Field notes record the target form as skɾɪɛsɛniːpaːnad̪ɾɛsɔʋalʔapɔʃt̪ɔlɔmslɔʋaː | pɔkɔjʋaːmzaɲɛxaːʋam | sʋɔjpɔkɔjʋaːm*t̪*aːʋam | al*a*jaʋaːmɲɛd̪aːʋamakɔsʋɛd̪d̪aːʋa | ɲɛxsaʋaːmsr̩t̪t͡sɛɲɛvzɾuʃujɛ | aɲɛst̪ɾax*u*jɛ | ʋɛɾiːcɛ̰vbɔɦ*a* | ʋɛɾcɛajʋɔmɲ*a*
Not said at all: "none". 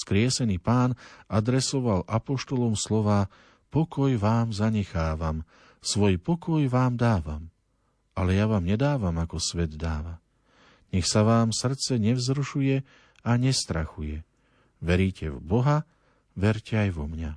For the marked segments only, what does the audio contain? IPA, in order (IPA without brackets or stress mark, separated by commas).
d̪, ɛ, u, a, a